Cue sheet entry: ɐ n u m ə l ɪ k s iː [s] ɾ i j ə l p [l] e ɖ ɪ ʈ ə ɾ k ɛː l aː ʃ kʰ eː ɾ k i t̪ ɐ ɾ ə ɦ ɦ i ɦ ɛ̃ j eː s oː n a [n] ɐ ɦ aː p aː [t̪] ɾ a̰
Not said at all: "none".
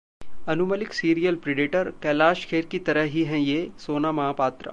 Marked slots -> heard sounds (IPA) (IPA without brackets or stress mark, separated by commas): none, ɾ, m, t̪